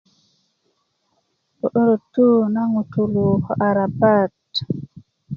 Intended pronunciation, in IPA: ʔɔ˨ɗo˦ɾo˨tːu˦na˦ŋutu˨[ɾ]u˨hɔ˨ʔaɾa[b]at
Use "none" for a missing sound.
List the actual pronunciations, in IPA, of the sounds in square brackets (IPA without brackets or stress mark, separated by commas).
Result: l, b